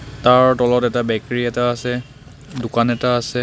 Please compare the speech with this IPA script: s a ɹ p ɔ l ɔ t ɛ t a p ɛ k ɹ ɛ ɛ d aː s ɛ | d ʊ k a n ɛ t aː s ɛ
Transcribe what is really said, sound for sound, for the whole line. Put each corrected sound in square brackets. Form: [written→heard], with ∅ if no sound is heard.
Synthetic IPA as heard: [s→t] a ɹ [p→t] ɔ l ɔ t ɛ t a [p→b] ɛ k ɹ [ɛ→i] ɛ [d→t] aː s ɛ | d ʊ k a n ɛ t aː s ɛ